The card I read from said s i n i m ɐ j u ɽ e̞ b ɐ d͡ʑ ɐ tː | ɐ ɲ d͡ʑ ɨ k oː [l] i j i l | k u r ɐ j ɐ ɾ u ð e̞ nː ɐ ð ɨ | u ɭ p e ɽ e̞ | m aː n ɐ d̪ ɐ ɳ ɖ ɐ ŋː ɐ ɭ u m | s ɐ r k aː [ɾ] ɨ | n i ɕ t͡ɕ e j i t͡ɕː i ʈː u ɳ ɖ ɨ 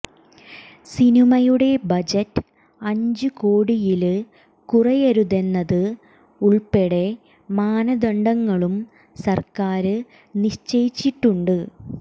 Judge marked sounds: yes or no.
no, yes

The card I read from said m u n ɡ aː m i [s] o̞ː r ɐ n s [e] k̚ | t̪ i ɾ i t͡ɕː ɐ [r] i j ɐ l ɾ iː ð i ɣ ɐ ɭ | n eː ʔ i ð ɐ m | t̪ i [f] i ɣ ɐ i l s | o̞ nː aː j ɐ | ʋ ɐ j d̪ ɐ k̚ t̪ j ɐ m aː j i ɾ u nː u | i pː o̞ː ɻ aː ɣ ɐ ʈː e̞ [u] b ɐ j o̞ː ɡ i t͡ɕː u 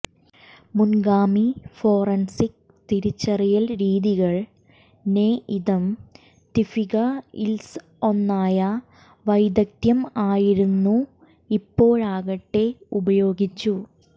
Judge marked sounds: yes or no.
no, no, yes, yes, yes

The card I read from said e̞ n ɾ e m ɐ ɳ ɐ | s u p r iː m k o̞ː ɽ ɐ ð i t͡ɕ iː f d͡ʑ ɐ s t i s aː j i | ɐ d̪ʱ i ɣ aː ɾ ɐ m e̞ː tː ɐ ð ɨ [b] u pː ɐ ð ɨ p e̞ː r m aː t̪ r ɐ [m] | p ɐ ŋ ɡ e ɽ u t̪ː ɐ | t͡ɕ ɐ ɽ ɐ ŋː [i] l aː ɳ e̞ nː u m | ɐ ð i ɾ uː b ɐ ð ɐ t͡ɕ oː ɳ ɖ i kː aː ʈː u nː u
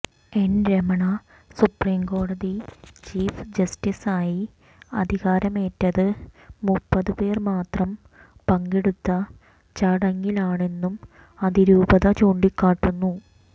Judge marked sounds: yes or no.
no, yes, yes

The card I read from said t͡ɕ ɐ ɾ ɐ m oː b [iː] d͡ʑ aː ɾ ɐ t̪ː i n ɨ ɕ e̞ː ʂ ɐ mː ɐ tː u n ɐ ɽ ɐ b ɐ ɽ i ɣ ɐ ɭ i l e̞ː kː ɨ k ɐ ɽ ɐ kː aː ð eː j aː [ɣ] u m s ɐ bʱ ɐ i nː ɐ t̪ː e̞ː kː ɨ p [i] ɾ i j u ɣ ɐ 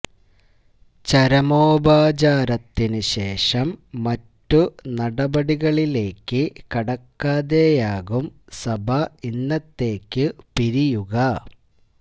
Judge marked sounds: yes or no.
no, yes, yes

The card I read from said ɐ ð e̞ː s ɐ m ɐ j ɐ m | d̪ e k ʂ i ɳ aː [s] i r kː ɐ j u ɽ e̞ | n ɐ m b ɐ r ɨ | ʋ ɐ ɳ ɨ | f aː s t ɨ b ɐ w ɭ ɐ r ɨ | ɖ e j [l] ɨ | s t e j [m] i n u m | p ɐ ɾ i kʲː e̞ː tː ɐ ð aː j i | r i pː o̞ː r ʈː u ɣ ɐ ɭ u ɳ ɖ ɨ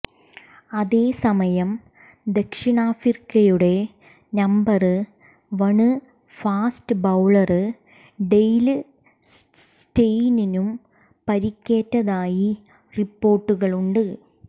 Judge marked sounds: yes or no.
no, yes, no

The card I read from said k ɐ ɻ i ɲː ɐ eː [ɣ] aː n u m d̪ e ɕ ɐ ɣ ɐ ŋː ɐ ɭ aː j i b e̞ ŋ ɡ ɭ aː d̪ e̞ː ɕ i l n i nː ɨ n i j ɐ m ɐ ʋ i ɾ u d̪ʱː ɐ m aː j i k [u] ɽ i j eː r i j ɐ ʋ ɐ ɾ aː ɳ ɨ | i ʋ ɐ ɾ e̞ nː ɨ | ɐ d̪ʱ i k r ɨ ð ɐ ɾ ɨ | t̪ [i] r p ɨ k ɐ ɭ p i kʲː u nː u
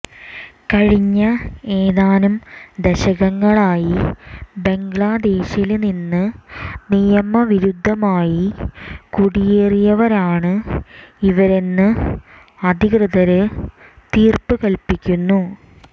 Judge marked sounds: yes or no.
no, yes, no

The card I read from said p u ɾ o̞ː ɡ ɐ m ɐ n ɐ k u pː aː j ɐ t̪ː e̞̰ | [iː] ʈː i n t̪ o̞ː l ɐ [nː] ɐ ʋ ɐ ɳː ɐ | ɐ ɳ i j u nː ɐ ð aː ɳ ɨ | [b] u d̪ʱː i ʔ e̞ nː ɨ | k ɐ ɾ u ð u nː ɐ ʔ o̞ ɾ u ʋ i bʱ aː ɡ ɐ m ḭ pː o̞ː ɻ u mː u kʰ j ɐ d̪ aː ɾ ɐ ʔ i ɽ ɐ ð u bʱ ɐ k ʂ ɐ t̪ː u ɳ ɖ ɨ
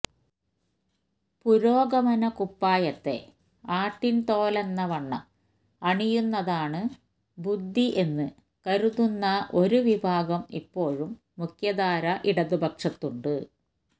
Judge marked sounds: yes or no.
no, yes, yes

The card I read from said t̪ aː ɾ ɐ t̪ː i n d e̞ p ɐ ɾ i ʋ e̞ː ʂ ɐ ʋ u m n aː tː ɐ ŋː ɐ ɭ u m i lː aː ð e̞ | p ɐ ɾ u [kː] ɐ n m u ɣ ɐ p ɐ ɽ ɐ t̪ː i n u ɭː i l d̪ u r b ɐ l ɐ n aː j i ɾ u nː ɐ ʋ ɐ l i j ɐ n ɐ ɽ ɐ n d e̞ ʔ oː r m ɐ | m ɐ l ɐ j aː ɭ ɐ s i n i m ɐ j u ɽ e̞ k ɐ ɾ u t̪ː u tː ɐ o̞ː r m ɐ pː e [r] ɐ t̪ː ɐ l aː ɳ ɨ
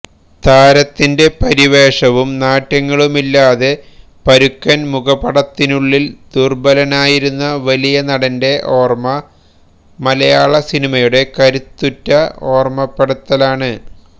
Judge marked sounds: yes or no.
yes, no

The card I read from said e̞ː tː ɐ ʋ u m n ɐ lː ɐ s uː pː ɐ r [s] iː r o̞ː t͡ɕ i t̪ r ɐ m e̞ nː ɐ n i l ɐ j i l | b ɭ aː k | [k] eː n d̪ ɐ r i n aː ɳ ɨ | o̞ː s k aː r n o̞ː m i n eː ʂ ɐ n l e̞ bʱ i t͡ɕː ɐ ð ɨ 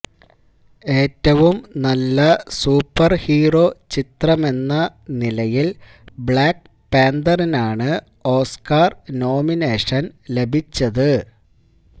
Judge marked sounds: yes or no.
no, no

